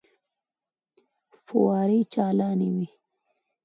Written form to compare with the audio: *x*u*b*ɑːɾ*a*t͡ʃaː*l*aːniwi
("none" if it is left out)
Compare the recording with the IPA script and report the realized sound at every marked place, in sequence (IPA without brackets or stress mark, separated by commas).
f, w, i, l